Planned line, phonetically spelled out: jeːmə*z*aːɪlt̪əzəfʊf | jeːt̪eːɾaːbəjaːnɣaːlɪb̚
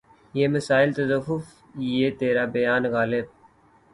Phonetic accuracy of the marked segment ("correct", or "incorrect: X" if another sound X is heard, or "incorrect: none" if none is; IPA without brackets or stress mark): incorrect: s